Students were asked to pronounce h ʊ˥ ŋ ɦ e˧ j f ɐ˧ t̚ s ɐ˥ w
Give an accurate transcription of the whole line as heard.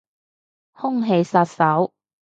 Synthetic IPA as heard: h ʊ˥ ŋ ɦ e˧ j s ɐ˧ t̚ s ɐ˨˥ w